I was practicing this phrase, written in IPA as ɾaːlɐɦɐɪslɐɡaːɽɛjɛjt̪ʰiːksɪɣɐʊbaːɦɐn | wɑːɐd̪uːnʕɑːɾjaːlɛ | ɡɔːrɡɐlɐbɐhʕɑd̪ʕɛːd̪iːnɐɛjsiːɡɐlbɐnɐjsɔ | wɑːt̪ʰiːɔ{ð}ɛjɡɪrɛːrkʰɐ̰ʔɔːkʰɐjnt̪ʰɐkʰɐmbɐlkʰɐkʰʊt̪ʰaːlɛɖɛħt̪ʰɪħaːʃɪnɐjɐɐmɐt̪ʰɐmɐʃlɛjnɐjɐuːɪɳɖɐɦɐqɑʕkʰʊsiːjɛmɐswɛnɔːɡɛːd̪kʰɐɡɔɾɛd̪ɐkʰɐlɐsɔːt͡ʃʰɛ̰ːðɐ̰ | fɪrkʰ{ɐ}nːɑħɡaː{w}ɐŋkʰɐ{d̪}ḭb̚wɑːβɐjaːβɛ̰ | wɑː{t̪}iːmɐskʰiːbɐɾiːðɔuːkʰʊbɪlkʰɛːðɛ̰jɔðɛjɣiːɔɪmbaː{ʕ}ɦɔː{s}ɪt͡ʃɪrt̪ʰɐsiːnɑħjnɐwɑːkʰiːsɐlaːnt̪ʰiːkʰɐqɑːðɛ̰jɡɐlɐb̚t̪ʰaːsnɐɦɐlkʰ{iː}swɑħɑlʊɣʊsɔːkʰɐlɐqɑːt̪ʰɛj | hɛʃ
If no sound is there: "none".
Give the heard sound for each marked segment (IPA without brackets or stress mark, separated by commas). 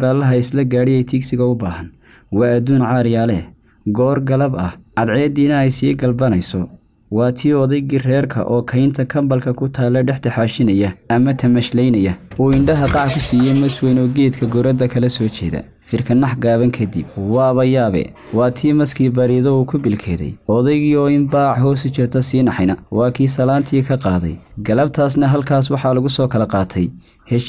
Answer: ð, ɐ, β, d̪, t̪ʰ, ʕ, s, aː